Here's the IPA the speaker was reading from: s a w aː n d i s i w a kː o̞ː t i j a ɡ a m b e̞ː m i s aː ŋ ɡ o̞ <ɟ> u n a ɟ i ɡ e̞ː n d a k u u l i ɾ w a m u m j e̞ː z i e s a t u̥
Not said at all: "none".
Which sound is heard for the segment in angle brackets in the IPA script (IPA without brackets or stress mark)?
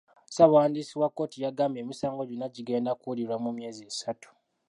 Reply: ɟ